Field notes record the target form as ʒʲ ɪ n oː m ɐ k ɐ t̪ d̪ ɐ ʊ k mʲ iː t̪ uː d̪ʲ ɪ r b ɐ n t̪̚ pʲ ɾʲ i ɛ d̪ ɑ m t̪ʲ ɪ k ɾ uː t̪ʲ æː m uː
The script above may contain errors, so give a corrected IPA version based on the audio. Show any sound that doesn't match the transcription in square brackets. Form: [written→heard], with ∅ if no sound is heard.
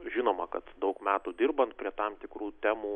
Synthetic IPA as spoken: ʒʲ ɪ n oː m ɐ k ɐ t̪ d̪ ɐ ʊ k mʲ [iː→æː] t̪ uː d̪ʲ ɪ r b ɐ n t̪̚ pʲ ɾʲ i ɛ [d̪→t̪] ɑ m t̪ʲ ɪ k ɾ uː t̪ʲ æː m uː